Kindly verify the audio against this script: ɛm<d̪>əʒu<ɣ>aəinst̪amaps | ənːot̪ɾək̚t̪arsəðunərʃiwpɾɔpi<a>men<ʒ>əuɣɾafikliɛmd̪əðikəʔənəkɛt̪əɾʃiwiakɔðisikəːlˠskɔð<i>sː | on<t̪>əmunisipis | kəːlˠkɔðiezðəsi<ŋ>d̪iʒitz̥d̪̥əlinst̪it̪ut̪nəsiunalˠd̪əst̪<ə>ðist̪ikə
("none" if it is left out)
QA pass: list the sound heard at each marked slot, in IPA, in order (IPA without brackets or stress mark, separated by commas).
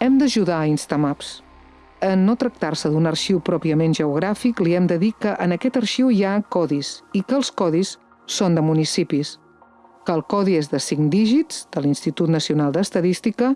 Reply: d̪, ð, ə, ʒ, i, d̪, ŋ, ə